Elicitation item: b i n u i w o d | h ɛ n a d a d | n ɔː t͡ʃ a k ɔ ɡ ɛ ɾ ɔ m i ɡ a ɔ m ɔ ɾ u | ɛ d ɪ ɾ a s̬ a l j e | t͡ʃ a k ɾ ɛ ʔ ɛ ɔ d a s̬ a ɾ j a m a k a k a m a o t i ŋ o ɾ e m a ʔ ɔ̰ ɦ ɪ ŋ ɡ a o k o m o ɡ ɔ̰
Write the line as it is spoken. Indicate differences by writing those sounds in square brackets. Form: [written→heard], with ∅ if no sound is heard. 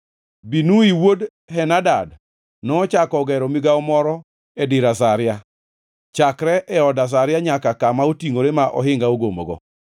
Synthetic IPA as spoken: b i n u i w o d | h ɛ n a d a d | n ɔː t͡ʃ a k ɔ ɡ ɛ ɾ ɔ m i ɡ a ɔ m ɔ ɾ [u→ɔ] | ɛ d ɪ ɾ a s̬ a [l→ɾ] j [e→a] | t͡ʃ a k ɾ ɛ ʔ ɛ ɔ d a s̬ a ɾ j a [m→ɲ] a k a k a m a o t i ŋ o ɾ e m a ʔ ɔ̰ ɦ ɪ ŋ ɡ a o [k→ɡ] o m o ɡ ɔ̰